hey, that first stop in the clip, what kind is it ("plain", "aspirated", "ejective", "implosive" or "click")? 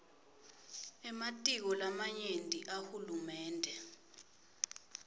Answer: ejective